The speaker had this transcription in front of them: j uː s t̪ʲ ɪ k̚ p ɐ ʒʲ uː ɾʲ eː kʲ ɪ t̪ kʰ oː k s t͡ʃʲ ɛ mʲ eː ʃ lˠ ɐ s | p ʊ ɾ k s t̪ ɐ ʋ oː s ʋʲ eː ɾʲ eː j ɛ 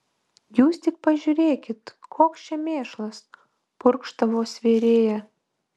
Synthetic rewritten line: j uː s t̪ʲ ɪ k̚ p ɐ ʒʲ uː ɾʲ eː kʲ ɪ t̪ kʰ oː k s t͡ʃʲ ɛ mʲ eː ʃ lˠ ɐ s | p ʊ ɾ k ʃ t̪ ɐ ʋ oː s ʋʲ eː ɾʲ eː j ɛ